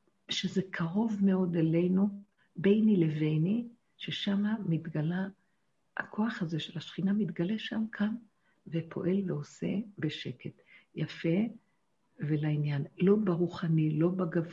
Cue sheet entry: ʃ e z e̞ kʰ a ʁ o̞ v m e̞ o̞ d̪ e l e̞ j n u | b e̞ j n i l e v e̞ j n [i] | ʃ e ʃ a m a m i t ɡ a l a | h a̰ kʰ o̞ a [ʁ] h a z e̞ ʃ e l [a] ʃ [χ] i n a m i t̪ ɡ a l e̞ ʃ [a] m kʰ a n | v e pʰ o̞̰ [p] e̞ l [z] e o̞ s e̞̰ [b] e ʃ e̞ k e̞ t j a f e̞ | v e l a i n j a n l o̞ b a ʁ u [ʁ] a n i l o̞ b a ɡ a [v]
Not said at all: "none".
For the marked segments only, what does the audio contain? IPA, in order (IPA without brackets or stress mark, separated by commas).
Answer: i, χ, a, χ, a, ʔ, v, b, χ, v